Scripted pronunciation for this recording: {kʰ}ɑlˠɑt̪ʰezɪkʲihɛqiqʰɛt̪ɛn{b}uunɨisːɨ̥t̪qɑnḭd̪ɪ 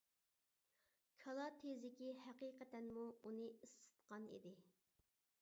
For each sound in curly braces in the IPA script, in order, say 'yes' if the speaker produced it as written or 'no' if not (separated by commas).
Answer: yes, no